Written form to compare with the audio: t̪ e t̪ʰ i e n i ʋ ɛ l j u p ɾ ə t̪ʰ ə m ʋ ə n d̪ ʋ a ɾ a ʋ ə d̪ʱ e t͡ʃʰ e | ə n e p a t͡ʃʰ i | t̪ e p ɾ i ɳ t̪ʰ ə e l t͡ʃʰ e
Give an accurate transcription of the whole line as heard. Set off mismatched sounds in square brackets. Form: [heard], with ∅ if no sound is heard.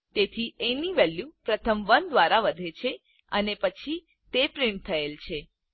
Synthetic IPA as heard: t̪ e t̪ʰ i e n i ʋ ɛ l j u p ɾ ə t̪ʰ ə m ʋ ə n d̪ ʋ a ɾ a ʋ ə d̪ʱ e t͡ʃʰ e | ə n e p [ə] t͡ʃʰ i | t̪ e p ɾ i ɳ t̪ʰ ə e l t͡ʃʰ e